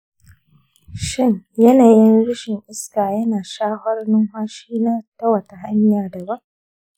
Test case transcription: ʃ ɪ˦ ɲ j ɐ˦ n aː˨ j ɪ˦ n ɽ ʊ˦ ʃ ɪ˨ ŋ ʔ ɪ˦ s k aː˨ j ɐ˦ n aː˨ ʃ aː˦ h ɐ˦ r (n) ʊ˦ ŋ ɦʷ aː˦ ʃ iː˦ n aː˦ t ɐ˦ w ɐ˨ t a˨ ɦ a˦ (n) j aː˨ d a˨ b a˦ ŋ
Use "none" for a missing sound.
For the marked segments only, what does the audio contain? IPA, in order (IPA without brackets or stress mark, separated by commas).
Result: n, ɲ